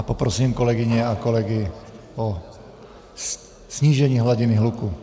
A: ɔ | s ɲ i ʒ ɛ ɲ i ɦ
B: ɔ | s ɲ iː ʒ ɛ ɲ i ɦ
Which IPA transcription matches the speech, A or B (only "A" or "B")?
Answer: B